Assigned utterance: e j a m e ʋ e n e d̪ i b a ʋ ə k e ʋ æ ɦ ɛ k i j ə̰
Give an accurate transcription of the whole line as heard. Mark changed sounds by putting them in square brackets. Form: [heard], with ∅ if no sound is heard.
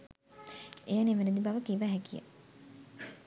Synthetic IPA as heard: e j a [n] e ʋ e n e d̪ i b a ʋ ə k [i] ʋ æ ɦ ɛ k i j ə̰